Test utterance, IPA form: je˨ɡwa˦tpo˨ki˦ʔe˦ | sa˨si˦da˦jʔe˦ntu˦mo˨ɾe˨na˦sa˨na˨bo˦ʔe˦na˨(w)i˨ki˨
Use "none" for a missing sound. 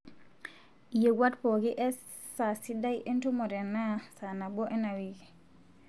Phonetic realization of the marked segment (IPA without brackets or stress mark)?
w